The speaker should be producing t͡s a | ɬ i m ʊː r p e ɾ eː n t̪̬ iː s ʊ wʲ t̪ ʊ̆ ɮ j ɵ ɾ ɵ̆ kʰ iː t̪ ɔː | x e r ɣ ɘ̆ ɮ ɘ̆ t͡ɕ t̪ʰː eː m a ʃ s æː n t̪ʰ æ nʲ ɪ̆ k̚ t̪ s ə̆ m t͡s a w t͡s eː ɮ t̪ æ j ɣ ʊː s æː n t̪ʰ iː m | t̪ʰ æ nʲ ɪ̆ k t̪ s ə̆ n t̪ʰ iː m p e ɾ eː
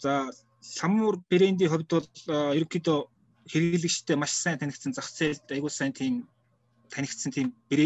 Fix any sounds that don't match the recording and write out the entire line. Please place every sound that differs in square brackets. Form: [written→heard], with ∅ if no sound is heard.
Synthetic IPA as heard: t͡s a | ɬ [i→a] m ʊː r p e ɾ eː n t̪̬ iː [s→χ] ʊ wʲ t̪ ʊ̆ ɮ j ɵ ɾ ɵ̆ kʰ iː t̪ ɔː | x e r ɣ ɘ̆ ɮ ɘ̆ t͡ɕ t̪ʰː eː m a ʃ s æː n t̪ʰ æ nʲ ɪ̆ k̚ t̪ s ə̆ [m→n] t͡s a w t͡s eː ɮ t̪ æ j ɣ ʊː s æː n t̪ʰ iː m | t̪ʰ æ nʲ ɪ̆ k t̪ s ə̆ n t̪ʰ iː m p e ɾ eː